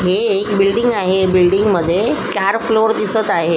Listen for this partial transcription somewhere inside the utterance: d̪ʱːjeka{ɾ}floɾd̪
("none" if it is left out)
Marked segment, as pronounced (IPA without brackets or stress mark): ɾ